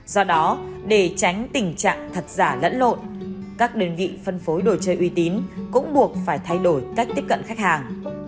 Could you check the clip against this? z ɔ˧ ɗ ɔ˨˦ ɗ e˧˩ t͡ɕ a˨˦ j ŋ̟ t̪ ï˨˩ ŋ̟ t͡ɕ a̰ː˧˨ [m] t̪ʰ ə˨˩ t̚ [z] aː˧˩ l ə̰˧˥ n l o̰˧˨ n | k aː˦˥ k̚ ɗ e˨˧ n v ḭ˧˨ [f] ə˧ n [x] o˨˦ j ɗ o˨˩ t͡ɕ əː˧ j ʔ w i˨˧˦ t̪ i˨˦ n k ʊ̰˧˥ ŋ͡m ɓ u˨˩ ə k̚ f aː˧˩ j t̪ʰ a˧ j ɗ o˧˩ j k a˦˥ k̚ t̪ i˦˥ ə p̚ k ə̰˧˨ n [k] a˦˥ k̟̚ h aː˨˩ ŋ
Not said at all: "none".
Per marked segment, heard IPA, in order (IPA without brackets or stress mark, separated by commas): ŋ, z, f, f, x